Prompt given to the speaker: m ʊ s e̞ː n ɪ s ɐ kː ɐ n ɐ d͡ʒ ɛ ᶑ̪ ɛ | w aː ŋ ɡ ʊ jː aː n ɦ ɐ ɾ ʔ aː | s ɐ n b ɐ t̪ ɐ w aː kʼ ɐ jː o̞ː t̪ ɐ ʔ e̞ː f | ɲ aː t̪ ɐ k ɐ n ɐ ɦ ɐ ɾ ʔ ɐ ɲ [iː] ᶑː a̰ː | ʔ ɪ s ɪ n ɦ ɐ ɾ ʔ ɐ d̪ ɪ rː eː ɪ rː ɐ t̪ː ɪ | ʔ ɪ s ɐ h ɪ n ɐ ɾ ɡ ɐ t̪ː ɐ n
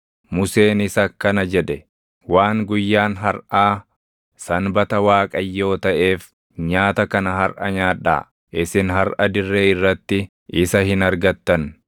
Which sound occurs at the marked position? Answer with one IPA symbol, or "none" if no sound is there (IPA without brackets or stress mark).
aː